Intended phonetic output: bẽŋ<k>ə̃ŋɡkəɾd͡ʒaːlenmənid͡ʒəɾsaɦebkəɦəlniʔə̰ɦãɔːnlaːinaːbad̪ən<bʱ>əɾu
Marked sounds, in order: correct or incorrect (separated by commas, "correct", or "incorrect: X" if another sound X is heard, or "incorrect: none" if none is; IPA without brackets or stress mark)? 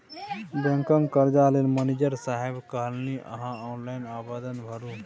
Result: correct, correct